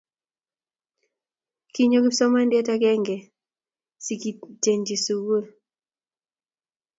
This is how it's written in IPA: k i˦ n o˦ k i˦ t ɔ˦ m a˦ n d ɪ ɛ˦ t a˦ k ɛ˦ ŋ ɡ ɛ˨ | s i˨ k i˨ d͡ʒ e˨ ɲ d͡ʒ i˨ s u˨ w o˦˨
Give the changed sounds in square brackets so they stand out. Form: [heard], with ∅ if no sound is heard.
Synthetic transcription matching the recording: k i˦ [ɲ] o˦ k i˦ [s] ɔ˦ m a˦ n d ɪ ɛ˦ t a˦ k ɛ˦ ŋ ɡ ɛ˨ | s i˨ k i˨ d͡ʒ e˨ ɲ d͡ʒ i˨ s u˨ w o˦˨